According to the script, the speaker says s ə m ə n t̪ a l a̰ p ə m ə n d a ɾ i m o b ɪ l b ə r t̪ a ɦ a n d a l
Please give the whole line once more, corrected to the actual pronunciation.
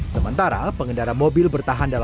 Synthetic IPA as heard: s ə m ə n t̪ a ɾ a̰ p ə ŋ ə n d a ɾ a m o b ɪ l b ə r t̪ a ɦ a n d a l